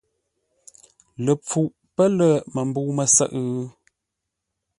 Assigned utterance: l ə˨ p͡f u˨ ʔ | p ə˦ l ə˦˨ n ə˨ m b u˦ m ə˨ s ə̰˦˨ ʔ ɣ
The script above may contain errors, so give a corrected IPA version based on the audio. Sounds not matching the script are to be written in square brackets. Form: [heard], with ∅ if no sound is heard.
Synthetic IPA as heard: l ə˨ p͡f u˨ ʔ | p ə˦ l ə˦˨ [m] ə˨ m b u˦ m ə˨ s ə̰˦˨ ʔ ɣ